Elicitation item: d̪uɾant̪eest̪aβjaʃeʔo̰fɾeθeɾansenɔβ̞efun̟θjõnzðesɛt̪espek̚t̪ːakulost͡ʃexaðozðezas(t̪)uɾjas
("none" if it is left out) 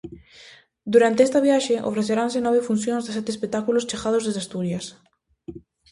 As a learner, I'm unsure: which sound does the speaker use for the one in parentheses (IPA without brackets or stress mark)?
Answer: t̪